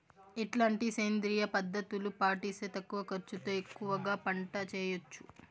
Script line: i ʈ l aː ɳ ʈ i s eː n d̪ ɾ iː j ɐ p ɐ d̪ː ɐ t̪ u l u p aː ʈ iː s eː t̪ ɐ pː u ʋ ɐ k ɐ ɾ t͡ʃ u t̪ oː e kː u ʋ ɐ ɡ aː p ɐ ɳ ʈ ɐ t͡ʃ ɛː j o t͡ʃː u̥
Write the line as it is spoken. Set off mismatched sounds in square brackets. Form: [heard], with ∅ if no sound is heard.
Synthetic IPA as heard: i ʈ l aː ɳ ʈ i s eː n d̪ ɾ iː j ɐ p ɐ d̪ː ɐ t̪ u l u p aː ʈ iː s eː t̪ ɐ [kː] u ʋ ɐ k ɐ ɾ t͡ʃ u t̪ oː e kː u ʋ ɐ ɡ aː p ɐ ɳ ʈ ɐ t͡ʃ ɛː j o t͡ʃː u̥